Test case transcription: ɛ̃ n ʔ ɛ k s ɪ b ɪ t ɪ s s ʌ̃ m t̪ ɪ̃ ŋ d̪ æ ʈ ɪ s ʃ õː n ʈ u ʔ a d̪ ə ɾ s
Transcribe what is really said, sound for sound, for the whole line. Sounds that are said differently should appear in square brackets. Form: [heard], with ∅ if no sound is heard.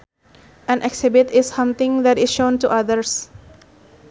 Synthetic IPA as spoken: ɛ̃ n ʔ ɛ k s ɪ b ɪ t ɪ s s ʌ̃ m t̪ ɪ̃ ŋ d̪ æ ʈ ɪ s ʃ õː n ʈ u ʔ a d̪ ə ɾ s